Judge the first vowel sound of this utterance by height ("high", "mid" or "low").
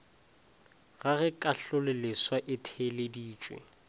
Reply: low